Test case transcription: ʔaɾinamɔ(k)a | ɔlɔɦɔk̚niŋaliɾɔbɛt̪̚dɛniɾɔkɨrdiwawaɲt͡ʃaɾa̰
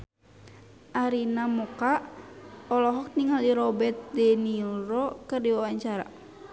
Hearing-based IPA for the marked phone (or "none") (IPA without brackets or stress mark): k